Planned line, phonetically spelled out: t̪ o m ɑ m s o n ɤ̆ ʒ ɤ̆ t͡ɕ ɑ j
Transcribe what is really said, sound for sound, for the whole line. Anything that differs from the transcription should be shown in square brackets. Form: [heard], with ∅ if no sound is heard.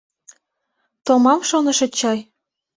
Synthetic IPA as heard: t̪ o m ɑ m [ʃ] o n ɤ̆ [ʃ] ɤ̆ t͡ɕ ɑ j

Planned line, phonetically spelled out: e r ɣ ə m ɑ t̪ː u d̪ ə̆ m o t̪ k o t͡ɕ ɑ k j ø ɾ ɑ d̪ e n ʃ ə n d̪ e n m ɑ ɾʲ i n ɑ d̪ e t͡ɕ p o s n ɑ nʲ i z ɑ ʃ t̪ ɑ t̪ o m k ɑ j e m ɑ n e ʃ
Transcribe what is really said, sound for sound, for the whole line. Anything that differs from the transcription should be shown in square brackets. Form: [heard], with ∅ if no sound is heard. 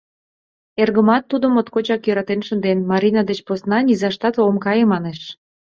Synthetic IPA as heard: e r ɣ ə m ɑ t̪ː u d̪ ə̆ m o t̪ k o t͡ɕ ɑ k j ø ɾ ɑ [t̪] e n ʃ ə n d̪ e n m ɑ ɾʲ i n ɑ d̪ e t͡ɕ p o s n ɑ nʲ i z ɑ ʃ t̪ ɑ t̪ o m k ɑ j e m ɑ n e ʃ

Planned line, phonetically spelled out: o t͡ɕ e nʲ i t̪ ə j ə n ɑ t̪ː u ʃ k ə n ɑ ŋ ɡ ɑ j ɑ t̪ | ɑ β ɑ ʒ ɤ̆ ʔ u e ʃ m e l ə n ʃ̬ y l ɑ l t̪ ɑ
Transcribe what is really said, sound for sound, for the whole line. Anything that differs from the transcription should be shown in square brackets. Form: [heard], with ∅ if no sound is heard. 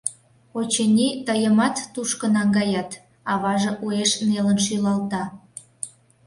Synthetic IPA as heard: o t͡ɕ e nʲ i t̪ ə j ə [m] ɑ t̪ː u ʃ k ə n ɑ ŋ ɡ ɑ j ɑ t̪ | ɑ β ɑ ʒ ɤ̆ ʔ u e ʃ [n] e l ə n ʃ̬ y l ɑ l t̪ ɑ

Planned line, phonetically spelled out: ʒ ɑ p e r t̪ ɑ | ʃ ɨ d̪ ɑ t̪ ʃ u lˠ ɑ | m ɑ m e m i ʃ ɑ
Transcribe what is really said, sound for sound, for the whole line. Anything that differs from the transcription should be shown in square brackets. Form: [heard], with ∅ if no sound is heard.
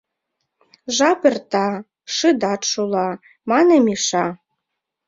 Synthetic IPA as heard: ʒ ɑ p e r t̪ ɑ | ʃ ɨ d̪ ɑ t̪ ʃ u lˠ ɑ | m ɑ [n] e m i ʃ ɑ

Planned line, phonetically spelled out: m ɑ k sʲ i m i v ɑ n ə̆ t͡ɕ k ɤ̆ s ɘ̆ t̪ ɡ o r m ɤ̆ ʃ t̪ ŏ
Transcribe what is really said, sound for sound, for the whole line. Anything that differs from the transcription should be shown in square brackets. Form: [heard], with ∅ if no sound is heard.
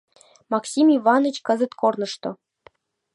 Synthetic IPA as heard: m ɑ k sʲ i m i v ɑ n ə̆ t͡ɕ k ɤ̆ [z] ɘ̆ t̪ [k] o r [n] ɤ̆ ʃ t̪ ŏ

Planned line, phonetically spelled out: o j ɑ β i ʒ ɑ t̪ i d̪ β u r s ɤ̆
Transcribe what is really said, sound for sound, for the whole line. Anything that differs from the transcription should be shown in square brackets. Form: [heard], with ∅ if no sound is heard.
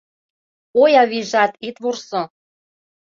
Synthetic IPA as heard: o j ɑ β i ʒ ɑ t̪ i [t̪] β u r s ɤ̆

